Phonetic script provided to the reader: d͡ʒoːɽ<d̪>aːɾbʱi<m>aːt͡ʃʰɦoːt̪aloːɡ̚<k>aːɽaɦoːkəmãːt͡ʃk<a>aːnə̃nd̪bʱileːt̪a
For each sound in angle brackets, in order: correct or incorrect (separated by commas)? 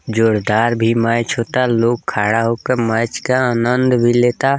correct, correct, incorrect, correct